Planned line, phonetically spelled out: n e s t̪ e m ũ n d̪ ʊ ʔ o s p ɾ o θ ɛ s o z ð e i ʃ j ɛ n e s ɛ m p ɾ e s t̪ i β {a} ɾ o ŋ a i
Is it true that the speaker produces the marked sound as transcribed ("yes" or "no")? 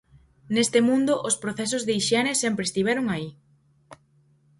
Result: no